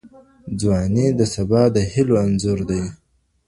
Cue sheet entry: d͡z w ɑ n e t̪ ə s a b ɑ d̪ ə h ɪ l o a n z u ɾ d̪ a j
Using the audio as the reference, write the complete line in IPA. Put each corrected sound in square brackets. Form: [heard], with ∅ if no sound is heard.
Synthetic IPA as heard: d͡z w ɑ n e [d̪] ə s a b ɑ d̪ ə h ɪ l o a n z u ɾ d̪ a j